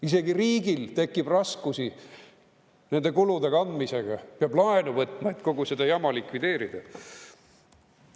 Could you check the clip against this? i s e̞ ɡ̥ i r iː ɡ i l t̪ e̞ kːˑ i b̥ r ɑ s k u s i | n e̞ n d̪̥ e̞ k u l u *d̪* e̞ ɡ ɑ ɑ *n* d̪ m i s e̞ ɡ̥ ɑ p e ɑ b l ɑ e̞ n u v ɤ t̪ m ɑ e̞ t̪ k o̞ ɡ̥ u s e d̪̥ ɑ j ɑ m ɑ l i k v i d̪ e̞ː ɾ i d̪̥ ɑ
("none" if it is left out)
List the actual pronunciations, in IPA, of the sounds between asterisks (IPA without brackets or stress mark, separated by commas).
d̪, n